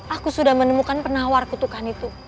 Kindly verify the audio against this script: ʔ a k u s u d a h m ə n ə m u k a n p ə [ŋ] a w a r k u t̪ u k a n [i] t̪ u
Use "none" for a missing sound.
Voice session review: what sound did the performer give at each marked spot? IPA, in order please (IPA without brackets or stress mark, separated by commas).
n, i